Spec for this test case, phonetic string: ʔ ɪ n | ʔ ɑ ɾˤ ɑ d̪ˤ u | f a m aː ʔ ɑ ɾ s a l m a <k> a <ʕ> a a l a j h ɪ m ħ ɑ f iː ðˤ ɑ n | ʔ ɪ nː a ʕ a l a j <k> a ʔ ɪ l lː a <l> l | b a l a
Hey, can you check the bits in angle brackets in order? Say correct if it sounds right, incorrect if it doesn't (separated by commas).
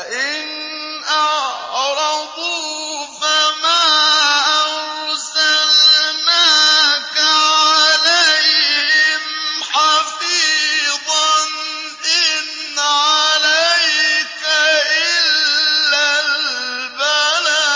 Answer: correct, correct, correct, correct